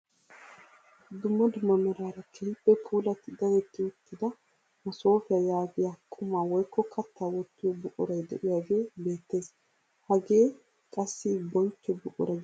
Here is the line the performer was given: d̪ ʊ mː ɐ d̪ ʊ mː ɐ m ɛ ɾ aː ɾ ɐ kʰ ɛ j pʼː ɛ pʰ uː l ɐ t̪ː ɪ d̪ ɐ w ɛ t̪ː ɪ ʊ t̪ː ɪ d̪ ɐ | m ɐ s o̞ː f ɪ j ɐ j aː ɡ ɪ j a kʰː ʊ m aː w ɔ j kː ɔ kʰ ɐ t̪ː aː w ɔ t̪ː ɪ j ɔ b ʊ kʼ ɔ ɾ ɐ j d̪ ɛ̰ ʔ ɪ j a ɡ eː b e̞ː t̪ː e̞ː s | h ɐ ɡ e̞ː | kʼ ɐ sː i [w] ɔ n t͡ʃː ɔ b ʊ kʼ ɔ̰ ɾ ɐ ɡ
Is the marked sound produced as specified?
no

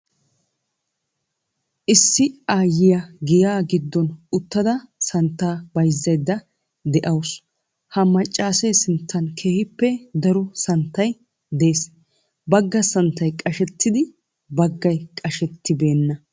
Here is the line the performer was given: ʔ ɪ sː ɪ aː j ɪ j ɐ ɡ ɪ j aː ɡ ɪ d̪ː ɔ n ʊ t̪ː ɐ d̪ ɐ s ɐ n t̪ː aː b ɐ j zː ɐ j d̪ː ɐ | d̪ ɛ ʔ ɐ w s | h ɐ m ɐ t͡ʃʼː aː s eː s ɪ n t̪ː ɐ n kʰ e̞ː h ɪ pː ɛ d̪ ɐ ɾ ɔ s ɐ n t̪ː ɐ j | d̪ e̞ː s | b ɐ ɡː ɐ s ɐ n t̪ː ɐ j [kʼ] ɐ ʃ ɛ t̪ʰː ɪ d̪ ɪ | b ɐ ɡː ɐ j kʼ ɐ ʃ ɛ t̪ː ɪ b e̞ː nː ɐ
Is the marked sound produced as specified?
yes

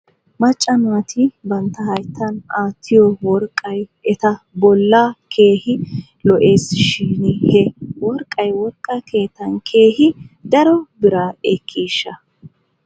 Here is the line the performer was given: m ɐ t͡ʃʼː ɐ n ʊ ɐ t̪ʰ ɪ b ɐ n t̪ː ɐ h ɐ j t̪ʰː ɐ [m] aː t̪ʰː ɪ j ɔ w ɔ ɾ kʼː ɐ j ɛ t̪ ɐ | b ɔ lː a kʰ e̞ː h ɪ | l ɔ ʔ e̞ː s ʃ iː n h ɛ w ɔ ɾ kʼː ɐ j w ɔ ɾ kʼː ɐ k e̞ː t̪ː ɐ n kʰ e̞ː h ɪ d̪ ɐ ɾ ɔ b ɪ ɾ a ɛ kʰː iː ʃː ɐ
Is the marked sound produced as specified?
no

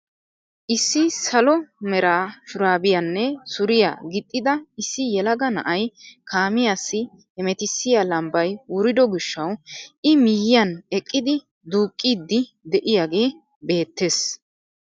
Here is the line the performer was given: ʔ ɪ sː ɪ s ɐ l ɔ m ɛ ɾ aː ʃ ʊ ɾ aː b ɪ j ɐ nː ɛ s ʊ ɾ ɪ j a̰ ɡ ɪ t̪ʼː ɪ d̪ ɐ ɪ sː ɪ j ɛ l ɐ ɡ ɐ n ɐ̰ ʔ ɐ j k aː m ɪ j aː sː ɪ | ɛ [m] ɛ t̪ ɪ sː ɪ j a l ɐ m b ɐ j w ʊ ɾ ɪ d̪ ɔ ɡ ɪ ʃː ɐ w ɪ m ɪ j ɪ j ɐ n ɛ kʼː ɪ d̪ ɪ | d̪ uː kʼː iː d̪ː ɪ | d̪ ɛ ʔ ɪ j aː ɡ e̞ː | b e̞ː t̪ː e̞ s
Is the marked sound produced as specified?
yes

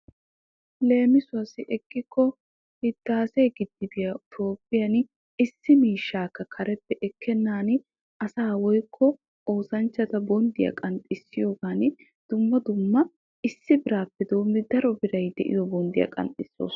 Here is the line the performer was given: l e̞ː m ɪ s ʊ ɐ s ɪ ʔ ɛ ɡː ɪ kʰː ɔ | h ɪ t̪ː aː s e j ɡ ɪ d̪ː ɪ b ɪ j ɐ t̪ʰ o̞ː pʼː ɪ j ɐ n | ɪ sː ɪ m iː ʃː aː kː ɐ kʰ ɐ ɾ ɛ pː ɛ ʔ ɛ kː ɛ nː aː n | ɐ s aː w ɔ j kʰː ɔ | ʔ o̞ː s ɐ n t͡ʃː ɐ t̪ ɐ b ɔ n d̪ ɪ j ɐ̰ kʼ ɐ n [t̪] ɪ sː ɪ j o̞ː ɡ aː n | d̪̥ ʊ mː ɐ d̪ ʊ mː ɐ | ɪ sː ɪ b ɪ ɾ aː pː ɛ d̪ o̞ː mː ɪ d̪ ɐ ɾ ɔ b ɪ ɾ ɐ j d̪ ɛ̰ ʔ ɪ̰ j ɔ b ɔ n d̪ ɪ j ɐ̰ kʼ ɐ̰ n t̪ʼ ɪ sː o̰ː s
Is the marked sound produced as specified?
no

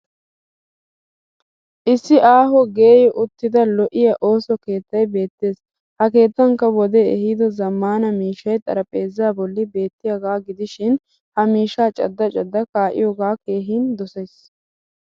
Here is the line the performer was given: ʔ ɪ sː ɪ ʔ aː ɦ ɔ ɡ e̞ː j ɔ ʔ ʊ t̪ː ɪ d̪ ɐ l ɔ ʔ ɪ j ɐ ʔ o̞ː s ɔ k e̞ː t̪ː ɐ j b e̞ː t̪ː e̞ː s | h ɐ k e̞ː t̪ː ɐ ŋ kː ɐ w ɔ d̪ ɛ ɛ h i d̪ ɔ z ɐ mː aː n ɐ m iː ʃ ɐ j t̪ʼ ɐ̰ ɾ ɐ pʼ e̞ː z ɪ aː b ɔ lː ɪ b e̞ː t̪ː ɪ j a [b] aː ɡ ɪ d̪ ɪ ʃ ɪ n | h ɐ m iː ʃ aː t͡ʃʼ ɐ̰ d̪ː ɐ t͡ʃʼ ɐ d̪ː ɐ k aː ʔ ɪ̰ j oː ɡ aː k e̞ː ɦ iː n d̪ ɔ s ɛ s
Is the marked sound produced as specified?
no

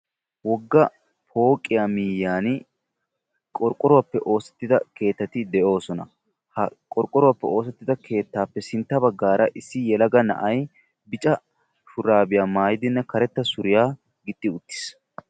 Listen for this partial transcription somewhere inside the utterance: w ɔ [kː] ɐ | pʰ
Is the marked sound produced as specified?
no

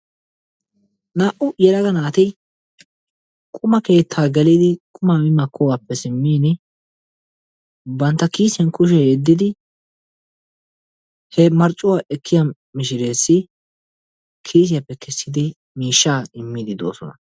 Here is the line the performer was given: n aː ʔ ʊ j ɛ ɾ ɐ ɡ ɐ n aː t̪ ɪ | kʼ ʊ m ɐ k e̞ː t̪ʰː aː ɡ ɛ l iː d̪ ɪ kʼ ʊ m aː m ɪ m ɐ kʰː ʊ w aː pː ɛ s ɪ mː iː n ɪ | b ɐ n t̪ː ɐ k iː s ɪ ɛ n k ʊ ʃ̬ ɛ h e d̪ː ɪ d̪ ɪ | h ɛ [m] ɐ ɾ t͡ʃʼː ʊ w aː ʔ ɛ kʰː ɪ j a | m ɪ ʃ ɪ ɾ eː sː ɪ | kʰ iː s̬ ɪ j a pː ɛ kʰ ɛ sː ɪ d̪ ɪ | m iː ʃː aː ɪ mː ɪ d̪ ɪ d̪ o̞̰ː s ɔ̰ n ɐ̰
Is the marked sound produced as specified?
yes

